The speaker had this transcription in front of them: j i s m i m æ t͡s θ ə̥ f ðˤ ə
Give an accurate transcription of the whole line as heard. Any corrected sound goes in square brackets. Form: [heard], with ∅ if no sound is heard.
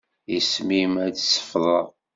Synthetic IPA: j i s m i m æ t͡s [s] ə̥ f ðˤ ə